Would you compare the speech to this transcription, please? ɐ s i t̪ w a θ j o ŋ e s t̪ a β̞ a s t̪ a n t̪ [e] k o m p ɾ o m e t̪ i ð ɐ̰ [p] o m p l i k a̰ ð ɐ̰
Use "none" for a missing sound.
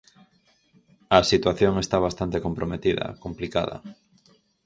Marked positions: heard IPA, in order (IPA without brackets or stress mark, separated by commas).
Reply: e, k